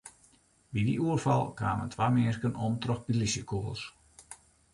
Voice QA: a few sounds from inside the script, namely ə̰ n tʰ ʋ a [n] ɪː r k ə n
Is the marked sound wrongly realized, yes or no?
yes